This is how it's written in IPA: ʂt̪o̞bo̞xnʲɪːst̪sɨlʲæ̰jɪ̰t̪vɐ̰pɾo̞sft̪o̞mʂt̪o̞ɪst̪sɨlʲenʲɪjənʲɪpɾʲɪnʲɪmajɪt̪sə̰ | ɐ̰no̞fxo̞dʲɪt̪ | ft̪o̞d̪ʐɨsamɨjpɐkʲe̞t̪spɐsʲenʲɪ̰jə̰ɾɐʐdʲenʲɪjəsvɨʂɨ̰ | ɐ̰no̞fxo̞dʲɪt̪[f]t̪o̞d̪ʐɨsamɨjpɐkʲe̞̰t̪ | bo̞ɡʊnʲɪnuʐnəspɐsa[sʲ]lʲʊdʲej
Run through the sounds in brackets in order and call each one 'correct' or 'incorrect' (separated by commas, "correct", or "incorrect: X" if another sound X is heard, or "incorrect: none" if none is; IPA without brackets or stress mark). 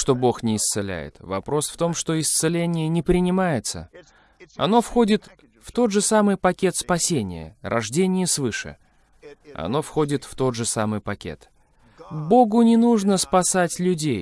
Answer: correct, incorrect: tʲ